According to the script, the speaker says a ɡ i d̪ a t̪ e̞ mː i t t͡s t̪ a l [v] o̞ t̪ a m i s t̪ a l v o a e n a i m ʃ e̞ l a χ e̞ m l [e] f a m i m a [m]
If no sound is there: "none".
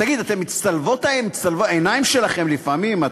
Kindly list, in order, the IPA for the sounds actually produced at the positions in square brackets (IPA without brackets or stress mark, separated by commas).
v, i, none